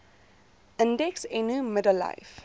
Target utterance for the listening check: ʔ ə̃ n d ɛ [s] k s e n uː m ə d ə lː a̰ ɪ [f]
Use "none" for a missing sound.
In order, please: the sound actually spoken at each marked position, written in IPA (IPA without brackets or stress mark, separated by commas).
none, f